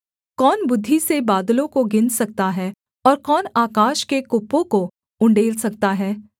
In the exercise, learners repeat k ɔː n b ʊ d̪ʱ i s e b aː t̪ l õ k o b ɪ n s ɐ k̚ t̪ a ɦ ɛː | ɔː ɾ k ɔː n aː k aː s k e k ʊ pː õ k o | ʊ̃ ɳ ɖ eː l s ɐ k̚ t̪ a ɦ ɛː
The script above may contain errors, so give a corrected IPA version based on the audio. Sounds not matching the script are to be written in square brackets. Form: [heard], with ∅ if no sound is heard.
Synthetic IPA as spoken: k ɔː n b ʊ [d̪ʱː] i s e b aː [d̪] l õ k o [ɡ] ɪ n s ɐ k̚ t̪ a ɦ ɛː | ɔː ɾ k ɔː n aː k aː [ʃ] k e k ʊ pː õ k o | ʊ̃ ɳ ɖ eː l s ɐ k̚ t̪ a ɦ ɛː